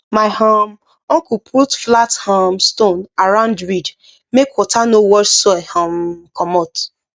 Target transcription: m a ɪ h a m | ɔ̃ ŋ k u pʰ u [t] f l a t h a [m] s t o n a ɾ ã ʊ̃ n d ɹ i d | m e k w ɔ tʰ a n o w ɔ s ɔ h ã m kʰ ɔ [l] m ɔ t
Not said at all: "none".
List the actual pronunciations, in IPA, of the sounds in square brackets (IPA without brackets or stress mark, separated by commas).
t, m, none